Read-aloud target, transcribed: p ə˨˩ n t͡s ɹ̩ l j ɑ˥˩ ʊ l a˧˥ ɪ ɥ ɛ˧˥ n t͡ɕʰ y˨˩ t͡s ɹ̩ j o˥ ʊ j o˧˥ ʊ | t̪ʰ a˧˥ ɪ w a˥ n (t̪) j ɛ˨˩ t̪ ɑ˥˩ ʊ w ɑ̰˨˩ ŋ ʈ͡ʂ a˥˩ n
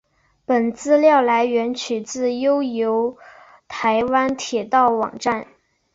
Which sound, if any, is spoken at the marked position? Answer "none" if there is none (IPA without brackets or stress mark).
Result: t̪ʰ